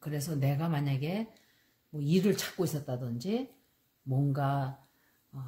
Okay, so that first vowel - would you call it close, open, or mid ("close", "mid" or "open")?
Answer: close